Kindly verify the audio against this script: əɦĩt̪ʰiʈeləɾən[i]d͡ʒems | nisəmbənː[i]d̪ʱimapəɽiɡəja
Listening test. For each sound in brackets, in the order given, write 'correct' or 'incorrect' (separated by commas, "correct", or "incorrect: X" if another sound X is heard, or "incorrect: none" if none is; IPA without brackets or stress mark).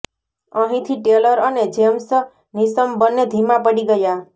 incorrect: e, incorrect: e